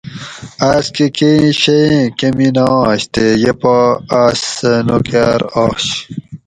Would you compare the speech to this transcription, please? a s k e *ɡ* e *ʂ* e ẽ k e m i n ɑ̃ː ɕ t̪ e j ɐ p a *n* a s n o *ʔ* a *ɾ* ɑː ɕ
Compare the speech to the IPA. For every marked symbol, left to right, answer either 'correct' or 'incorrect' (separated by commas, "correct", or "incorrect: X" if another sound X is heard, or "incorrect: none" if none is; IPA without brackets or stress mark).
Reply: incorrect: k, incorrect: ɕ, incorrect: none, incorrect: k, correct